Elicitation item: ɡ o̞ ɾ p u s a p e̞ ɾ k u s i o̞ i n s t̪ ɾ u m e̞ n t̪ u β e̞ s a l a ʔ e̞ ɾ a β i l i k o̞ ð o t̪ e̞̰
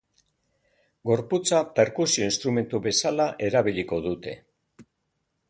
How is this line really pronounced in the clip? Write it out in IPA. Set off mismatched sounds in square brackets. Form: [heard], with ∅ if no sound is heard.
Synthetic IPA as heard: ɡ o̞ ɾ p u [t͡s] a p e̞ ɾ k u s i o̞ i n s t̪ ɾ u m e̞ n t̪ u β e̞ s a l a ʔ e̞ ɾ a β i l i k o̞ ð [u] t̪ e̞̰